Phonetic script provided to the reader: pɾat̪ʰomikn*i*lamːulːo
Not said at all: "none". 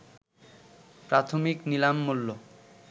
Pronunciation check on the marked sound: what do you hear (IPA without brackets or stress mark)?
i